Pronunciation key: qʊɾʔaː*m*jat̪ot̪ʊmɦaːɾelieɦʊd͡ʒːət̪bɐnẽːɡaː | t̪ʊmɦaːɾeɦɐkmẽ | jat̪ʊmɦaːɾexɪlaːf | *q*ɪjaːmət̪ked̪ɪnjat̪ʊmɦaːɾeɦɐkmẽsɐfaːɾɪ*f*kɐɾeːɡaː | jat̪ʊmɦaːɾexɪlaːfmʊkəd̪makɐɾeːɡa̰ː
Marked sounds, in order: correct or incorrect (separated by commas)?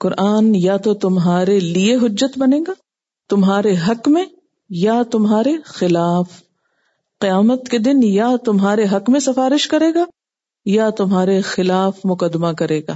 incorrect, correct, incorrect